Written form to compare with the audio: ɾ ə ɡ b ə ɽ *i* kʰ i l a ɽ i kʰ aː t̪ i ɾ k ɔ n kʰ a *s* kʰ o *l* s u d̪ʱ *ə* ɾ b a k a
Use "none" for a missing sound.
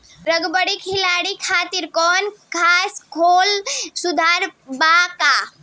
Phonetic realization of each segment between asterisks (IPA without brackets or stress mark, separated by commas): i, s, l, a